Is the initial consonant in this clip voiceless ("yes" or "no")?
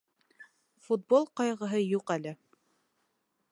yes